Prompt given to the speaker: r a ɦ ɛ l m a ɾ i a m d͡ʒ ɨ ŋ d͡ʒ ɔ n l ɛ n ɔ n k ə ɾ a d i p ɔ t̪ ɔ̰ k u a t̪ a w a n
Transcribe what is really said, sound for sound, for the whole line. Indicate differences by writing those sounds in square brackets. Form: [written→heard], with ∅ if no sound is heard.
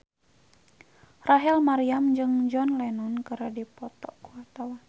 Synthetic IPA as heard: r a ɦ ɛ l m a ɾ i a m d͡ʒ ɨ ŋ d͡ʒ ɔ n l ɛ n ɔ n k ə ɾ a d i p ɔ t̪ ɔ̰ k u a t̪ a w a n